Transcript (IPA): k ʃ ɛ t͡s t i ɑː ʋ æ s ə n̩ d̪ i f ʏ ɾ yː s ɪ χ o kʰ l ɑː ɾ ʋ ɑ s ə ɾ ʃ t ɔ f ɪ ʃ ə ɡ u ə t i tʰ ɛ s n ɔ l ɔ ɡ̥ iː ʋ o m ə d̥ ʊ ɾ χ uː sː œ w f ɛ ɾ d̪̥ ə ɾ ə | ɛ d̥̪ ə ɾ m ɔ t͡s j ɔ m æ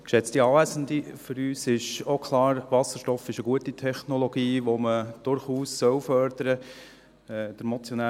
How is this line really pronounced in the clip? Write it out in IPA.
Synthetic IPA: k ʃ ɛ t͡s t i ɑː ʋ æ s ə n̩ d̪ i f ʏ ɾ yː s ɪ ʃ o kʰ l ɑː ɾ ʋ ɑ s ə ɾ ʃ t ɔ f ɪ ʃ ə ɡ u ə t i tʰ ɛ χ n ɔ l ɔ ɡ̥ iː ʋ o m ə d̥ ʊ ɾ χ uː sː œ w f œ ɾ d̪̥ ə ɾ ə | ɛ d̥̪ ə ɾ m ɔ t͡s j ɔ n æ